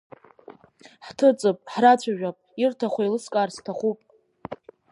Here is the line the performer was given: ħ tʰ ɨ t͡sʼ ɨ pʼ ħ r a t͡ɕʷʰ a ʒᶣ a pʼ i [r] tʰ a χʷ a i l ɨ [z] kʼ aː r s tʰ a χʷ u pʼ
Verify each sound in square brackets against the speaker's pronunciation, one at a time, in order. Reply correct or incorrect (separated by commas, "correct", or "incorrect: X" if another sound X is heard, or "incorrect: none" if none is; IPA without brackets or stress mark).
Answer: correct, incorrect: s